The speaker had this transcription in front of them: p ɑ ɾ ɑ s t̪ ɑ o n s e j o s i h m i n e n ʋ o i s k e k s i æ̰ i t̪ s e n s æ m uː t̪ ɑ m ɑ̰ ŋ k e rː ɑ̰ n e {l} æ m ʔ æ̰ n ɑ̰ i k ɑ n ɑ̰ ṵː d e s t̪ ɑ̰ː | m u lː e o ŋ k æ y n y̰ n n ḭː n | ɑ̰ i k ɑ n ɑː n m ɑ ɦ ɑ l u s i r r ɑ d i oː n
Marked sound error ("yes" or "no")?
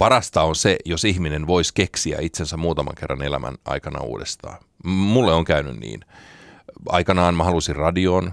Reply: no